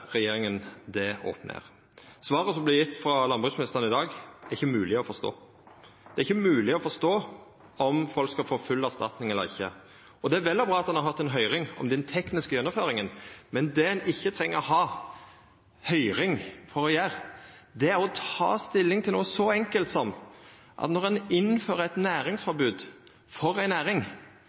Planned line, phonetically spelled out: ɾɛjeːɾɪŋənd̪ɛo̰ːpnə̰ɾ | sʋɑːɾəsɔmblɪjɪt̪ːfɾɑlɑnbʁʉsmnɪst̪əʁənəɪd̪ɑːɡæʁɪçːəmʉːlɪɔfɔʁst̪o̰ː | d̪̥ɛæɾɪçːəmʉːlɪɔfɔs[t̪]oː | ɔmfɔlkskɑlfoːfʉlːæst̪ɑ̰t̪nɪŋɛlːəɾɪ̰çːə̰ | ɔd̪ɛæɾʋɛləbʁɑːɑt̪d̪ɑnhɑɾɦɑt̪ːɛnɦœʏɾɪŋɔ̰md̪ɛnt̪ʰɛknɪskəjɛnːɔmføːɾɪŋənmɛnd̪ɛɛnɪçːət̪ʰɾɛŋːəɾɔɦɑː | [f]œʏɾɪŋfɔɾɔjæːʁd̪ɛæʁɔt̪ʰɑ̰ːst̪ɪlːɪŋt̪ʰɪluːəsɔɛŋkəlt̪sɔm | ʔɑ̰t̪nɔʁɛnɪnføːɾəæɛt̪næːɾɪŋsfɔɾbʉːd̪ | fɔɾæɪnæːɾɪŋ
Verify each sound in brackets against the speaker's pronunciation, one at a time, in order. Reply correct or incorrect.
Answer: correct, incorrect: h

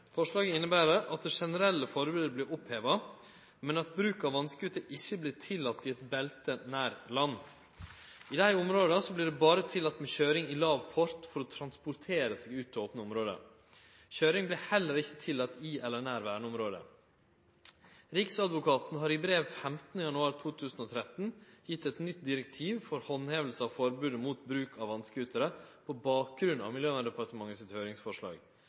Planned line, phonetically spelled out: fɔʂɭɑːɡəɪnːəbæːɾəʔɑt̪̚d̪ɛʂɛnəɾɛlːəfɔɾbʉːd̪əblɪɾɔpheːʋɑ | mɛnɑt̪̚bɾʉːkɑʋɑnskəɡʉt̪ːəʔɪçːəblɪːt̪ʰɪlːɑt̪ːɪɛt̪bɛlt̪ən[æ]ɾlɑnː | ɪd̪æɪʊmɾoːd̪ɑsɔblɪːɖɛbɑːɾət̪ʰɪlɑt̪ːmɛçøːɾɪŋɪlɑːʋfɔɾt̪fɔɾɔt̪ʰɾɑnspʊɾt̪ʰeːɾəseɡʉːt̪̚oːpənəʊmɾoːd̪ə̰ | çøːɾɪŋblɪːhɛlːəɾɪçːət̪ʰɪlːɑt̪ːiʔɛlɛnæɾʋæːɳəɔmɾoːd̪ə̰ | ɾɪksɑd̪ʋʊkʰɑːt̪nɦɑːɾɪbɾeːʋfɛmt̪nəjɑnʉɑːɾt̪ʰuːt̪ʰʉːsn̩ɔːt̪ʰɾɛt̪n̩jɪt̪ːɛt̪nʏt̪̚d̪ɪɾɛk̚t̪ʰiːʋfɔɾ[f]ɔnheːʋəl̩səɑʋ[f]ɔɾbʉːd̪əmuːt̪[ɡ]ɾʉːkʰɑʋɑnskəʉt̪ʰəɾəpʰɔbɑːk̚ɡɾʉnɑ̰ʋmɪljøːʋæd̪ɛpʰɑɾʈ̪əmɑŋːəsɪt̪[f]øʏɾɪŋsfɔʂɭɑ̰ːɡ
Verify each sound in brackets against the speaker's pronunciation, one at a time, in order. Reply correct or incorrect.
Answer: incorrect: æː, incorrect: h, correct, incorrect: b, incorrect: h

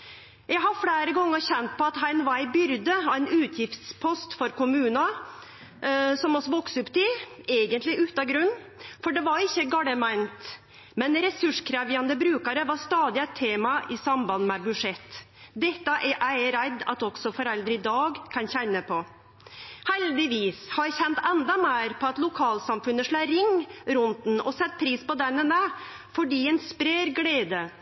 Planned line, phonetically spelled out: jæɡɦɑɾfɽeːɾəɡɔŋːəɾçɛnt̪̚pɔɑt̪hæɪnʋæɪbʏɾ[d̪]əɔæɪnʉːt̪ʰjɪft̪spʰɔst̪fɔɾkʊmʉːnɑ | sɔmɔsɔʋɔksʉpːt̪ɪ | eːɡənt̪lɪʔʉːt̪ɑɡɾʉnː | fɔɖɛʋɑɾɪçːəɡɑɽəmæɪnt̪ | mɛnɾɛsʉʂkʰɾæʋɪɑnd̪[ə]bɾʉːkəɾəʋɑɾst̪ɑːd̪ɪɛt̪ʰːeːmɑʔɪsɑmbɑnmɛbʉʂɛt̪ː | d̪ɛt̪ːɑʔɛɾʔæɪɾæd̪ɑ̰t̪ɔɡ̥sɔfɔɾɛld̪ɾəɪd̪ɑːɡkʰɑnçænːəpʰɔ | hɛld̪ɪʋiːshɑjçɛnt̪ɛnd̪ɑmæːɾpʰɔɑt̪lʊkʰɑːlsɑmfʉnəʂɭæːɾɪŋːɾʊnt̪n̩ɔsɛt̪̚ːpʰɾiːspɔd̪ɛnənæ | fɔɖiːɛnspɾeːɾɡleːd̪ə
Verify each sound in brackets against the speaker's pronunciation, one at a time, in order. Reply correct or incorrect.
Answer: correct, correct

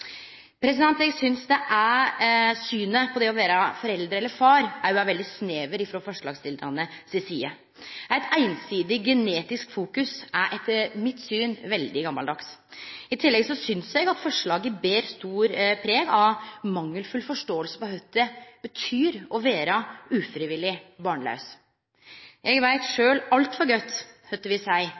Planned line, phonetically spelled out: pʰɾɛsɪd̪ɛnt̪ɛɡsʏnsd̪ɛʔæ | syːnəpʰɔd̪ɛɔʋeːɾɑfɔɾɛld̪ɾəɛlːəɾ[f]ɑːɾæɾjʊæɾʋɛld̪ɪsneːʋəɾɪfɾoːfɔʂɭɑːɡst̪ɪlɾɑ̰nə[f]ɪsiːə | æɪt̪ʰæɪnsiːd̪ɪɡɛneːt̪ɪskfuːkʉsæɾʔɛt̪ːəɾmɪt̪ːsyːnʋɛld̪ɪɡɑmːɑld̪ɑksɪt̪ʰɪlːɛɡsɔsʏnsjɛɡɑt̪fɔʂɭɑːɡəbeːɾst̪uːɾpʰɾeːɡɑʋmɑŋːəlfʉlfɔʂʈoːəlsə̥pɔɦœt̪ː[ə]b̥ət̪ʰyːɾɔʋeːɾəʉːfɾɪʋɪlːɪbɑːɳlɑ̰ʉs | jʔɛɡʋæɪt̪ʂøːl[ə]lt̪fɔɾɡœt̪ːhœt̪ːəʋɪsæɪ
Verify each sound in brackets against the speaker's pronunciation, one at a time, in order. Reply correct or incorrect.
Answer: correct, incorrect: s, correct, incorrect: ɑ

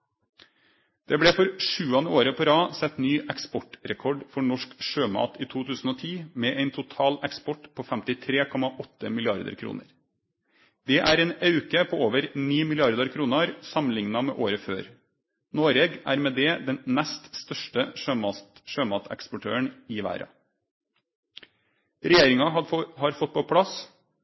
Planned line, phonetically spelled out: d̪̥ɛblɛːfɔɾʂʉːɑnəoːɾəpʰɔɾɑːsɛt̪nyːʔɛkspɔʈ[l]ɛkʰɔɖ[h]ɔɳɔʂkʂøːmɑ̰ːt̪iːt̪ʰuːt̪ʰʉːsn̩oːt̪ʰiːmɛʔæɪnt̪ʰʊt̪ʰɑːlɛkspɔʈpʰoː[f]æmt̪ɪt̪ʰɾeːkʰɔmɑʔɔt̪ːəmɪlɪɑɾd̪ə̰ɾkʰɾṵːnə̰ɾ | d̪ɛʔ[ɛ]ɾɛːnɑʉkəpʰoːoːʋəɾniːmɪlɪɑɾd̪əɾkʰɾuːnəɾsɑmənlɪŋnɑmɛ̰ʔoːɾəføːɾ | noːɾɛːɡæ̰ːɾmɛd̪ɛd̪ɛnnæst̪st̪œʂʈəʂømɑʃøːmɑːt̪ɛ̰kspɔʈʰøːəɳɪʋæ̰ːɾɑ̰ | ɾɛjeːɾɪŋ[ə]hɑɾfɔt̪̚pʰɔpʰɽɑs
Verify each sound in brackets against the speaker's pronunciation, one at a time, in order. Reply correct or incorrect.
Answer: incorrect: ɾ, incorrect: f, correct, incorrect: æ, incorrect: ɑ

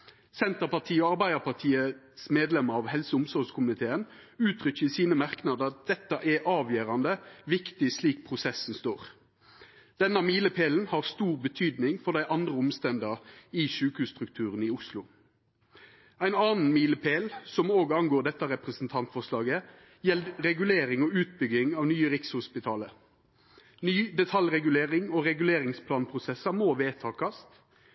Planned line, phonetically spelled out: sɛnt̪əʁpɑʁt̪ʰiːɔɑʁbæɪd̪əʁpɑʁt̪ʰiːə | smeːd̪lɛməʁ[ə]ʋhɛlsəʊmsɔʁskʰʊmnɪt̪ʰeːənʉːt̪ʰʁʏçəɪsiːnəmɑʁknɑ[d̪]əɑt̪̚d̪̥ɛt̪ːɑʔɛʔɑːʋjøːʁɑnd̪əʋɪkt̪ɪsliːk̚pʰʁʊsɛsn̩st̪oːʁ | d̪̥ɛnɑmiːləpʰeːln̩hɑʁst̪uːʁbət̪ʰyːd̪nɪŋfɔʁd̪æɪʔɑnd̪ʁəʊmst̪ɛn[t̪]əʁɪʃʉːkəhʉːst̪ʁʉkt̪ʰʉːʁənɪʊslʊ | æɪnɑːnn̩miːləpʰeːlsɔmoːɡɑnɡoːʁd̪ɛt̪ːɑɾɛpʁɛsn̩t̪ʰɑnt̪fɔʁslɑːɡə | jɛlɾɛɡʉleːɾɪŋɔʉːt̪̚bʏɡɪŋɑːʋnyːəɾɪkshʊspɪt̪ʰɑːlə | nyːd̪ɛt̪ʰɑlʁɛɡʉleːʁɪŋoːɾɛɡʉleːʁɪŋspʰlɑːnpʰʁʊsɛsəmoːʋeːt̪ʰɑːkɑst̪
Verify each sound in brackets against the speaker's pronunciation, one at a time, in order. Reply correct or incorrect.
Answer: incorrect: ɑ, correct, incorrect: d̪

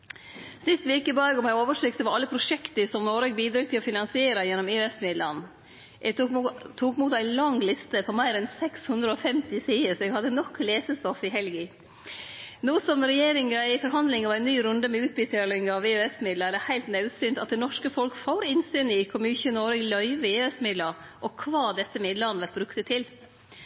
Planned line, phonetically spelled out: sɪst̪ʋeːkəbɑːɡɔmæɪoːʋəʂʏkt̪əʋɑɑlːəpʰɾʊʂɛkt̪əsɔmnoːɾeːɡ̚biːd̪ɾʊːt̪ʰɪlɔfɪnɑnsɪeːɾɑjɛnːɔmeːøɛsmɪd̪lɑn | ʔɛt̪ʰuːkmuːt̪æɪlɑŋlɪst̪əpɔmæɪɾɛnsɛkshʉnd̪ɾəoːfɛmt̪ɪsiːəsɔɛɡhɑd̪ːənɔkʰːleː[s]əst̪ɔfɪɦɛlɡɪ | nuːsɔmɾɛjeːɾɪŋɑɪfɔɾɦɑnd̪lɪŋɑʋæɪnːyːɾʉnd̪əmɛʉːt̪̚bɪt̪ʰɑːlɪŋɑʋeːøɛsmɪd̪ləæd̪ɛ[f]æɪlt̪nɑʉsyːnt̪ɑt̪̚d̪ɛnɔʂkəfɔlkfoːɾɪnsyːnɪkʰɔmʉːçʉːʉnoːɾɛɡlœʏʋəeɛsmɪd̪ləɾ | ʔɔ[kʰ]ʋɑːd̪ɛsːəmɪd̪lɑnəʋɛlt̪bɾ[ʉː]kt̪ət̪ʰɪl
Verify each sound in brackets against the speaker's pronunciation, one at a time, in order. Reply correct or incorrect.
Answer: correct, incorrect: h, correct, incorrect: ʉ

